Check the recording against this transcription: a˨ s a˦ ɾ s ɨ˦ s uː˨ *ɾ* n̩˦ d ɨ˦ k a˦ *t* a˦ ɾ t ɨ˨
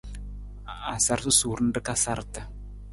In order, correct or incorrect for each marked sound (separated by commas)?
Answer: correct, incorrect